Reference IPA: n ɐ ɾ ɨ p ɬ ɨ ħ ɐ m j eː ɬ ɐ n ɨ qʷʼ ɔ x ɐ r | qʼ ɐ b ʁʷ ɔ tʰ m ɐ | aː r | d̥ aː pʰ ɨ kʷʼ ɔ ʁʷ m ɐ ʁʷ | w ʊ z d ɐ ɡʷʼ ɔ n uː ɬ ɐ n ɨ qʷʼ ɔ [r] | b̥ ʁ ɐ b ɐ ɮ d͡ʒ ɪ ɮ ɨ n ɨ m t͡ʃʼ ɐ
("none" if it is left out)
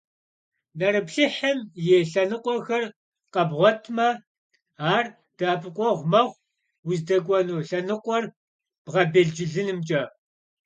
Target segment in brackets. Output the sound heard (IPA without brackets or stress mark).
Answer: r